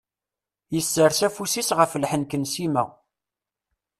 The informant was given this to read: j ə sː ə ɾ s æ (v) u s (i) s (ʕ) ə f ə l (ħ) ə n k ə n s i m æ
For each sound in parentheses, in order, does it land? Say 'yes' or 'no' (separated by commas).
no, yes, no, yes